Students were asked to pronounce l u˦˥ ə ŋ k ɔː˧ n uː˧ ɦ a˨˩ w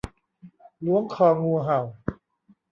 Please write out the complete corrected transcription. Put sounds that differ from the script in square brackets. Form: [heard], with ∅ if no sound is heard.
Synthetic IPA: l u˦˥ ə ŋ [kʰ] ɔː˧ [ŋ] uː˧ ɦ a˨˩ w